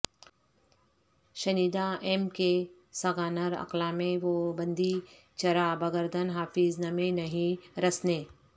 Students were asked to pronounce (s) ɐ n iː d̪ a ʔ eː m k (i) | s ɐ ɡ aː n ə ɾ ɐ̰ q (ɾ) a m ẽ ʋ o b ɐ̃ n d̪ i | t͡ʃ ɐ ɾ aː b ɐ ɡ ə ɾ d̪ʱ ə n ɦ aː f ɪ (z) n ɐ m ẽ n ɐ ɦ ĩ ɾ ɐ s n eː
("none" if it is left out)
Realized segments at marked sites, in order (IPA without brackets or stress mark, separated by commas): ʃ, e, l, z